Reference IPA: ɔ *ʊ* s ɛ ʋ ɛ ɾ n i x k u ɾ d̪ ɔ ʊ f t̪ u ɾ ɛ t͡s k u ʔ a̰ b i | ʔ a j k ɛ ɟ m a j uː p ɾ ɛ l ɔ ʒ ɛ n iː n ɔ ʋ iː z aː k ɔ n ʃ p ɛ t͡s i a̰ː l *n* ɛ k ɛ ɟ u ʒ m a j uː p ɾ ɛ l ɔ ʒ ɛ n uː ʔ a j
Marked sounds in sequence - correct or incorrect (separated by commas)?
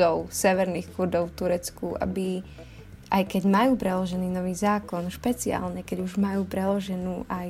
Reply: correct, incorrect